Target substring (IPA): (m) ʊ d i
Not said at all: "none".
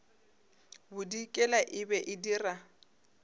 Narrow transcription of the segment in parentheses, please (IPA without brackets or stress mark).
b